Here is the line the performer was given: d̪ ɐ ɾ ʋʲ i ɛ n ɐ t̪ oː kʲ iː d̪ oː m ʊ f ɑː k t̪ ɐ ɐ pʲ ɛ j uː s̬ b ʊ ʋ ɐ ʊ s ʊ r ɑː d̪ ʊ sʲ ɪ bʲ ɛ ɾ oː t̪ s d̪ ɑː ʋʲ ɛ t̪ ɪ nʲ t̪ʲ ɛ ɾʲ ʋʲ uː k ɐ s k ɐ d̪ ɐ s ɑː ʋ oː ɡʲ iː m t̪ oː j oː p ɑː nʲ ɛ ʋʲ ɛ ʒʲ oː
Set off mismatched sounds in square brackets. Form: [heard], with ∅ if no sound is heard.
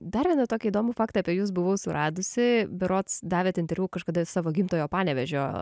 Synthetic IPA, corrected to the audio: d̪ ɐ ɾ ʋʲ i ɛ n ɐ t̪ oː kʲ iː d̪ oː m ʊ f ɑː k t̪ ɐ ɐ pʲ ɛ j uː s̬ b ʊ ʋ ɐ ʊ s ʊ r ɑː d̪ ʊ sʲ ɪ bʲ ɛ ɾ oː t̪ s d̪ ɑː ʋʲ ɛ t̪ ɪ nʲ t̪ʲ ɛ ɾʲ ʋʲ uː k ɐ [ʃ] k ɐ d̪ ɐ s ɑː ʋ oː ɡʲ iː m t̪ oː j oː p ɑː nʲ ɛ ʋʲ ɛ ʒʲ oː